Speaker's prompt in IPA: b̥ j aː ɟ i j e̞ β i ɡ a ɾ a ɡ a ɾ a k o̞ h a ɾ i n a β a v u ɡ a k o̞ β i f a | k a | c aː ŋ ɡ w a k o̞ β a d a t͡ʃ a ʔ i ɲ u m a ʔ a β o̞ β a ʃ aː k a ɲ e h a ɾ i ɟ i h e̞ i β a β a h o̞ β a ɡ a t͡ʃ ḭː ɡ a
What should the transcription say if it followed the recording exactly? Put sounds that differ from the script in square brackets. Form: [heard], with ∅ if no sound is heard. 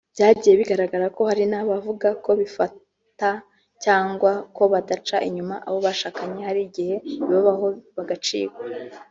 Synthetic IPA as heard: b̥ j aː ɟ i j e̞ β i ɡ a ɾ a ɡ a ɾ a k o̞ h a ɾ i n a β a v u ɡ a k o̞ β i f a | [t] a | c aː ŋ ɡ w a k o̞ β a d a t͡ʃ a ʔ i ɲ u m a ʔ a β o̞ β a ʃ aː k a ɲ e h a ɾ i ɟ i h e̞ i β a β a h o̞ β a ɡ a t͡ʃ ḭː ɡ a